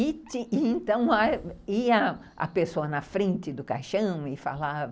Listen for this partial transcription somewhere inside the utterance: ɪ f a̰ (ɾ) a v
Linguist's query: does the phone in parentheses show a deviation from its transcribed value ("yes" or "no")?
yes